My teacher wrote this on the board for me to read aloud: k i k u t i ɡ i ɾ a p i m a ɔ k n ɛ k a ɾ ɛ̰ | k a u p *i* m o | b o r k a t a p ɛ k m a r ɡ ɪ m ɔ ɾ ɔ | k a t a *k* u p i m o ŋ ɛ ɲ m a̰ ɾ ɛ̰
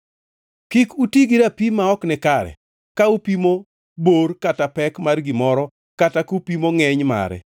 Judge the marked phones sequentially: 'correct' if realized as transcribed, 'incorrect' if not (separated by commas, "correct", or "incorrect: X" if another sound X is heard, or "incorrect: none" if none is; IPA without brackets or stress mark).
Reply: correct, correct